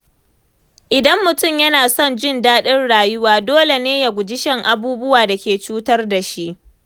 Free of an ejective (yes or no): yes